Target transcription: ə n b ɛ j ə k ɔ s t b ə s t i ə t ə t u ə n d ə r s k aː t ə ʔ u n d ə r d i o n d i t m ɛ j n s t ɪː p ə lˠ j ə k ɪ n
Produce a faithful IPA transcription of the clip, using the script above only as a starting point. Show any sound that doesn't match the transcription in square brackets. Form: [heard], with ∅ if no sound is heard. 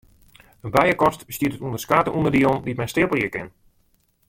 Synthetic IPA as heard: ə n b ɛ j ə k ɔ s t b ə s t i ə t ə t u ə n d ə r s k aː t ə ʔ u n d ə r d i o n d i t m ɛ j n s t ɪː p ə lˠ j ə k ɪ n